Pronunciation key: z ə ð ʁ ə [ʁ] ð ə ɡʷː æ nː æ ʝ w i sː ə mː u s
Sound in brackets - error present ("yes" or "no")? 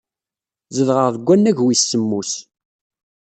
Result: no